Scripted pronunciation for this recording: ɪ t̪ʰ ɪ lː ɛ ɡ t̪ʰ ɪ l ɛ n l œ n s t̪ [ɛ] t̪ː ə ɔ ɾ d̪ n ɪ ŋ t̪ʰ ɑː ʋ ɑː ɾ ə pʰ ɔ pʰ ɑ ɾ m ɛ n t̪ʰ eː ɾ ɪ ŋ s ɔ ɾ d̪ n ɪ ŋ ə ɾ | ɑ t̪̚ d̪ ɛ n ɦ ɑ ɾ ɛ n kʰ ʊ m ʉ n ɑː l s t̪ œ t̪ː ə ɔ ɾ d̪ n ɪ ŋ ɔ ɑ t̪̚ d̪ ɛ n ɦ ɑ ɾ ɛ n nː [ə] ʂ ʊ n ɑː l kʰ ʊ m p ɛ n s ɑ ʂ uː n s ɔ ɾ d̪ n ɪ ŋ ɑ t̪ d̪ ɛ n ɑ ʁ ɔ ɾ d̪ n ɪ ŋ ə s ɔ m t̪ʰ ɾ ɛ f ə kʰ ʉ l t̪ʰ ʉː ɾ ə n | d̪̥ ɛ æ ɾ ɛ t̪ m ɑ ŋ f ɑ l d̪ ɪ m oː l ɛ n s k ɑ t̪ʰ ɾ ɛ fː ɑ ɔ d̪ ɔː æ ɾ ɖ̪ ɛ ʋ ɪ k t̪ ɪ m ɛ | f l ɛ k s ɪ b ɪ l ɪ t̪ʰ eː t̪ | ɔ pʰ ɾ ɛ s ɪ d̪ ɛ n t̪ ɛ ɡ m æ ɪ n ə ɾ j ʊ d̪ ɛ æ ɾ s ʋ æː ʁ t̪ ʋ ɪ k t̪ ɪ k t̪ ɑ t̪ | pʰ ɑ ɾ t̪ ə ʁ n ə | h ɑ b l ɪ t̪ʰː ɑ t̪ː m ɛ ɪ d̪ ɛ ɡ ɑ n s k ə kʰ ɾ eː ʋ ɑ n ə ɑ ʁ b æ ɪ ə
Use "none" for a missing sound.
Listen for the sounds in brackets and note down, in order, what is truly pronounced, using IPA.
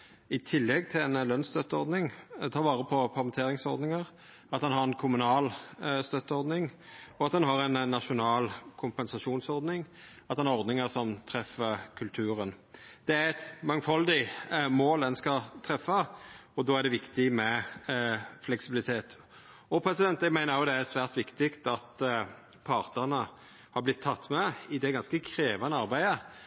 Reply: œ, ɑ

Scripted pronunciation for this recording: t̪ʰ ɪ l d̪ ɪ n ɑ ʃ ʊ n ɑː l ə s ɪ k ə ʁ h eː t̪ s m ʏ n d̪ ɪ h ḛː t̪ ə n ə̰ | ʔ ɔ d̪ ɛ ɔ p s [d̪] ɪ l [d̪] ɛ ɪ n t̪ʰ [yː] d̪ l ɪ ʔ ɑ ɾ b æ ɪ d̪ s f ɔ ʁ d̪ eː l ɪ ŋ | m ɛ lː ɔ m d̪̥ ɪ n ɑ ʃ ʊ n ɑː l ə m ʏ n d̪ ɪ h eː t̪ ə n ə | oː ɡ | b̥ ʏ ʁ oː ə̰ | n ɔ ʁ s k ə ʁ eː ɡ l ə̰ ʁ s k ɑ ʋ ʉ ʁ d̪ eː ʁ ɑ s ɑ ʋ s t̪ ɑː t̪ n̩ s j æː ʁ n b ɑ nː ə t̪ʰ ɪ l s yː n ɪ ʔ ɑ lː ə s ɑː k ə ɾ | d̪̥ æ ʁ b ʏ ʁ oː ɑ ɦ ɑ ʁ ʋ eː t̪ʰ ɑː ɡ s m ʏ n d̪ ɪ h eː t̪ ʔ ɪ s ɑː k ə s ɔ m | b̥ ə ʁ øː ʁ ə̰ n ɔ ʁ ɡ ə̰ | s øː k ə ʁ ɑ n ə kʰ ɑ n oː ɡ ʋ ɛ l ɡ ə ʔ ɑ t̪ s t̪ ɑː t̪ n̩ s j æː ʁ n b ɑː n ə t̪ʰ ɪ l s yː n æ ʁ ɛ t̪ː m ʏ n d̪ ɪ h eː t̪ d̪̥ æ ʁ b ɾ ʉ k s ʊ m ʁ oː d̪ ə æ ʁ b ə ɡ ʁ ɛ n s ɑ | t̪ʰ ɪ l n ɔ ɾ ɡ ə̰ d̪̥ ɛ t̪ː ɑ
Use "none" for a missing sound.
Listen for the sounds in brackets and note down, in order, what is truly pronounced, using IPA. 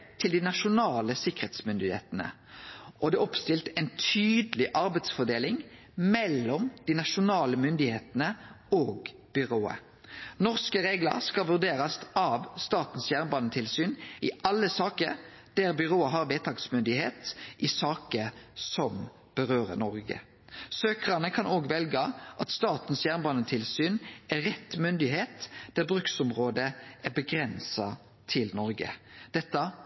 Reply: t̪, t̪, yː

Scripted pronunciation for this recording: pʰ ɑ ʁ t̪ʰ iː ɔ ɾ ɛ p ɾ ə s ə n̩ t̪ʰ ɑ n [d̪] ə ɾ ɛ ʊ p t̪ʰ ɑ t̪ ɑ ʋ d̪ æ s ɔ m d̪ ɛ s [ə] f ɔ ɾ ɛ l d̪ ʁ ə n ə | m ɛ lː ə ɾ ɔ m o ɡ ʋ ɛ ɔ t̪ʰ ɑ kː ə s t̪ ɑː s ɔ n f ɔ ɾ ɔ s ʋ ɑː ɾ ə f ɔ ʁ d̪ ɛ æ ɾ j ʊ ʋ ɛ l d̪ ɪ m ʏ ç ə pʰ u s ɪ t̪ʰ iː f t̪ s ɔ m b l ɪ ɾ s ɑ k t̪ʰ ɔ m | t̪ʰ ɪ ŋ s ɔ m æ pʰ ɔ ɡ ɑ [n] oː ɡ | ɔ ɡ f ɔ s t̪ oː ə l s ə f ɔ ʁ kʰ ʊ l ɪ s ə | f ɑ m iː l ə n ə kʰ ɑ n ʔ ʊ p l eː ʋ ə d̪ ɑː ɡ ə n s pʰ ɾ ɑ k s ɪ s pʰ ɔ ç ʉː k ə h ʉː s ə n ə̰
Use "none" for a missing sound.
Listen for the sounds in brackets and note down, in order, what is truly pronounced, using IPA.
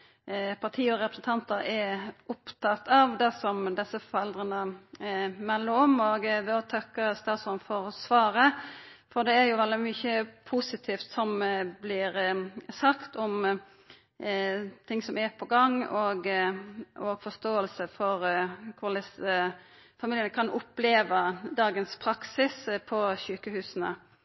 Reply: t̪, ə, ŋ

